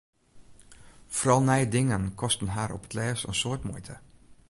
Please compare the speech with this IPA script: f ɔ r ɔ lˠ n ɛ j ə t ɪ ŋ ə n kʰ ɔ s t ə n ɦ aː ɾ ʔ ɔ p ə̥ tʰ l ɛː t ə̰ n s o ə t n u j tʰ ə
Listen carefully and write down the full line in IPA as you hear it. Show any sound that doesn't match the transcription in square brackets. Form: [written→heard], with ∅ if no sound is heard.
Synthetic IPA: f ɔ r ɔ lˠ n ɛ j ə [t→d] ɪ ŋ ə n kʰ ɔ s t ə n ɦ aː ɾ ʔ ɔ p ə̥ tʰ l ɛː [t→s] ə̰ n s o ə t [n→m] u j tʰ ə